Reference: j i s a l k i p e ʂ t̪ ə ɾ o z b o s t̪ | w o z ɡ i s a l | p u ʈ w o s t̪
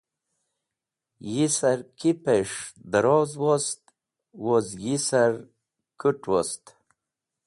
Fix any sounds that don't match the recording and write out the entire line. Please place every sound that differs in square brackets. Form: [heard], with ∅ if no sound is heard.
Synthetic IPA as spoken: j i s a [ɾ] k i p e ʂ [d̪] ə ɾ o z [w] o s t̪ | w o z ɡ i s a [ɾ] | [k] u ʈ w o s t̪